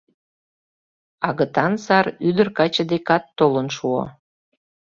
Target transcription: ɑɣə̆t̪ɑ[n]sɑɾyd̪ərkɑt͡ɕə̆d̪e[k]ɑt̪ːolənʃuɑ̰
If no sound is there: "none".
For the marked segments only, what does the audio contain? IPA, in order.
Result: n, k

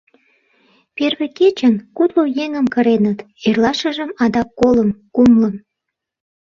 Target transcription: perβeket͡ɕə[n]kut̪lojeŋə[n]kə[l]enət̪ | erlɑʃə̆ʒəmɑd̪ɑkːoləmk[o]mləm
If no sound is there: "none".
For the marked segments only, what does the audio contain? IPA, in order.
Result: n, m, ɾ, u

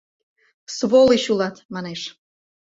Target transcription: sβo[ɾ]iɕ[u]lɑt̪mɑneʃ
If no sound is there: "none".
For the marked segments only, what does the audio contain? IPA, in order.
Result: l, u

